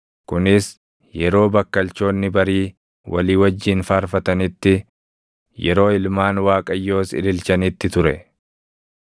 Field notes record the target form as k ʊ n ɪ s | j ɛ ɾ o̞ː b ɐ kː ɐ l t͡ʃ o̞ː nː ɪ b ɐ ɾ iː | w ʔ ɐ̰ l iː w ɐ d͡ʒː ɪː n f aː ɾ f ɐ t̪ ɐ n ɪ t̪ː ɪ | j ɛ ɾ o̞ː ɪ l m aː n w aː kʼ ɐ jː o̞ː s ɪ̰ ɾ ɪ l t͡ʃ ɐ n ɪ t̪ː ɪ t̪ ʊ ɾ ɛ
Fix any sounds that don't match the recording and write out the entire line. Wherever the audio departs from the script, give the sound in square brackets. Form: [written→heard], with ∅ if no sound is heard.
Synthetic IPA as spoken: k ʊ n ɪ s | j ɛ ɾ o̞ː b ɐ kː ɐ l t͡ʃ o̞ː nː ɪ b ɐ ɾ iː | w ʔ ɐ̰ l iː w ɐ d͡ʒː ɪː n f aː ɾ f ɐ t̪ ɐ n ɪ t̪ː ɪ | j ɛ ɾ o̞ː ɪ l m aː n w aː kʼ ɐ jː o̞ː s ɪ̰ [ɾ→l] ɪ l t͡ʃ ɐ n ɪ t̪ː ɪ t̪ ʊ ɾ ɛ